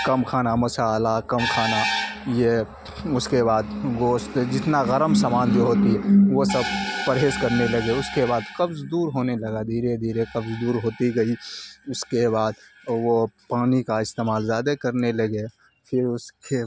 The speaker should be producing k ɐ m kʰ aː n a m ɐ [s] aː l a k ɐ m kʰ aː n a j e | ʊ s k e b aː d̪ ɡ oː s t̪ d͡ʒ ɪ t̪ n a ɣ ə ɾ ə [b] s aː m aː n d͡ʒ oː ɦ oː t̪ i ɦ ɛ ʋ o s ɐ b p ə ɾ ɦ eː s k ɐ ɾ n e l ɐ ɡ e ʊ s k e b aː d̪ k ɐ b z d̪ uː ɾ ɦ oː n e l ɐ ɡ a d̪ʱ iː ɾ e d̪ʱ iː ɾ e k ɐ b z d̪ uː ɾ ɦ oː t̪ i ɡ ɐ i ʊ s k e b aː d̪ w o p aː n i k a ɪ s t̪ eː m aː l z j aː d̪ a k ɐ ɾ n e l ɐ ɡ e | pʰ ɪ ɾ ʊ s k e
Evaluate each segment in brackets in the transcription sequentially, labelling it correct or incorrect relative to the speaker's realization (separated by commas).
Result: correct, incorrect